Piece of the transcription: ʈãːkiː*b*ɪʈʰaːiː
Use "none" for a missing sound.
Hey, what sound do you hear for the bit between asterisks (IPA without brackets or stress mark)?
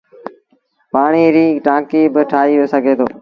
b